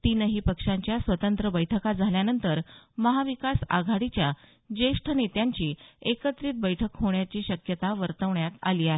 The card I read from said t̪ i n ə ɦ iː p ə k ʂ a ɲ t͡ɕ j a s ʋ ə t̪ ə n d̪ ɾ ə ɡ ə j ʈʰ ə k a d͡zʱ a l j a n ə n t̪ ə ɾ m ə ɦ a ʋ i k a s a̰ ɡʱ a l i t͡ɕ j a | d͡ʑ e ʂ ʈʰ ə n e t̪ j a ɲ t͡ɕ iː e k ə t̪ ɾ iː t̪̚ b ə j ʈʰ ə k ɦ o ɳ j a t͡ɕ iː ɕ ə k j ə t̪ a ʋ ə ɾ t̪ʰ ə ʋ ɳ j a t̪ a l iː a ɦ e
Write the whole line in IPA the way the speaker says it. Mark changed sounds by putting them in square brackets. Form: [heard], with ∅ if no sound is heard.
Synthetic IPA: t̪ i n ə ɦ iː p ə k ʂ a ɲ t͡ɕ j a s ʋ ə t̪ ə n [t̪] ɾ ə [b] ə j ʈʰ ə k a d͡zʱ a l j a n ə n t̪ ə ɾ m ə ɦ a ʋ i k a s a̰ ɡʱ a [ɽ] i t͡ɕ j a | d͡ʑ e ʂ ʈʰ ə n e t̪ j a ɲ t͡ɕ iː e k ə t̪ ɾ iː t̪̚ b ə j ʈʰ ə k ɦ o ɳ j a t͡ɕ iː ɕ ə k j ə t̪ a ʋ ə ɾ [t̪] ə ʋ ɳ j a t̪ a l iː a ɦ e